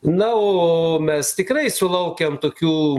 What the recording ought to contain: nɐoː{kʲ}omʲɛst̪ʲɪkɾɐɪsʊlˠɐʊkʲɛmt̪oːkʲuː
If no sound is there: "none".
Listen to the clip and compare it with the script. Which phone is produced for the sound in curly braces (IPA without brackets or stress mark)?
none